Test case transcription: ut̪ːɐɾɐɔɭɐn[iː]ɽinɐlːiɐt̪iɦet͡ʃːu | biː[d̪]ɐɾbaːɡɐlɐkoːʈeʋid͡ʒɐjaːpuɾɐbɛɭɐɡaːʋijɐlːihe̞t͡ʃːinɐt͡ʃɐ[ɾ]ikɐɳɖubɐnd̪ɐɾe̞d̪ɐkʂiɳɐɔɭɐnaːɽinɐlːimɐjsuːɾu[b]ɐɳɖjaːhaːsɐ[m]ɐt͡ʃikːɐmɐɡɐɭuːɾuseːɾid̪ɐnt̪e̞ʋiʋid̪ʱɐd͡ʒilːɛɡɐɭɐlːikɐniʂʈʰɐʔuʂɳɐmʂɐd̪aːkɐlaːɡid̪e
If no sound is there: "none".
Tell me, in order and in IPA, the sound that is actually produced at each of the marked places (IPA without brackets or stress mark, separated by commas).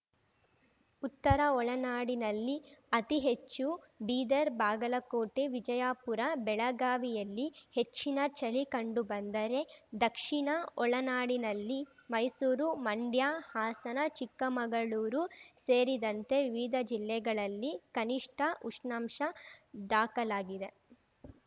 aː, d̪, l, m, n